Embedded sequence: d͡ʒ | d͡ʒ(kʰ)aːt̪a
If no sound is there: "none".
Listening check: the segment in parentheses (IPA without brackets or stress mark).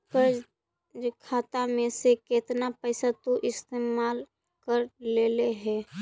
kʰ